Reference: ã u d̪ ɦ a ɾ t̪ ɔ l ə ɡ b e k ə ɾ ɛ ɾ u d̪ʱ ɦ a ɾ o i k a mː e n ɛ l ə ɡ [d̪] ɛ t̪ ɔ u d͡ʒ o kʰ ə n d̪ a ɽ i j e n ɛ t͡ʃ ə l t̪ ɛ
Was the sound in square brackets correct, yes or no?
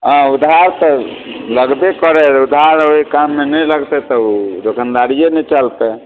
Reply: no